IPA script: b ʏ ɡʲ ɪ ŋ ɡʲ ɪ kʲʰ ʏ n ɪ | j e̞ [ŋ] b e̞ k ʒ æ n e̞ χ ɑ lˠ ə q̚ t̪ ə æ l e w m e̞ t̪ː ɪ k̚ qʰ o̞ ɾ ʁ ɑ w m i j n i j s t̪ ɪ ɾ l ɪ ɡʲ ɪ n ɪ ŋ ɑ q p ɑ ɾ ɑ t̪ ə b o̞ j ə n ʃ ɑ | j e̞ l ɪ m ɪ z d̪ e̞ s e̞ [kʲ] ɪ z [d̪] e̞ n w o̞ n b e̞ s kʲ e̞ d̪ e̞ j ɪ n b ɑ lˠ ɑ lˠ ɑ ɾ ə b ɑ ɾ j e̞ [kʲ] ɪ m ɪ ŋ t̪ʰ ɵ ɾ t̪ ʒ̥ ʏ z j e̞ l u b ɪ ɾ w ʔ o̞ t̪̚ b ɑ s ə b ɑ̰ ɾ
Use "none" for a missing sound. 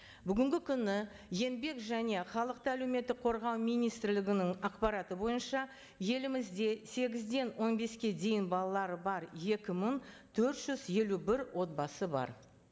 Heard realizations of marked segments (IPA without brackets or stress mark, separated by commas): n, ɡʲ, d̪, kʲ